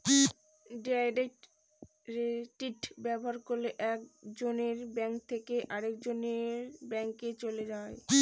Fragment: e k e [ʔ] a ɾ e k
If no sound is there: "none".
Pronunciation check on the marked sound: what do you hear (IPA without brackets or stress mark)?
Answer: ʔ